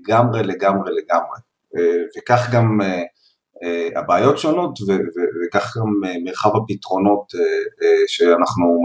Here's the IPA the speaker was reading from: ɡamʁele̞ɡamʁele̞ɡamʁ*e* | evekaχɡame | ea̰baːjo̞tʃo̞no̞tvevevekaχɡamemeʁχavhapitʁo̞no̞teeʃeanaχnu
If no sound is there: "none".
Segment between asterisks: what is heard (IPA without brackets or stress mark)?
e